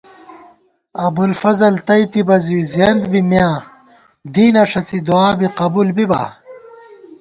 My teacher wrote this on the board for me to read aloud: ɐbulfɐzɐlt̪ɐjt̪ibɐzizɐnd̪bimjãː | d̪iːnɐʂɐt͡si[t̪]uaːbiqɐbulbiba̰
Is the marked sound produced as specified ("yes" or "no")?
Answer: no